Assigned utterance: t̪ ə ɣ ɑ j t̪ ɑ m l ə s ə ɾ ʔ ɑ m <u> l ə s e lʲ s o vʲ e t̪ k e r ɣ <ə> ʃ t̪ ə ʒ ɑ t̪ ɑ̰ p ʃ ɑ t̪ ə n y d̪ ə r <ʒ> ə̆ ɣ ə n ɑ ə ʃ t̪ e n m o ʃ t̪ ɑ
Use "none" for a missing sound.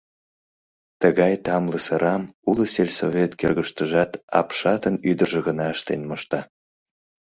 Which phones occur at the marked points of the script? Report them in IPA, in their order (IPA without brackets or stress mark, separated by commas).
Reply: u, ə, ʒ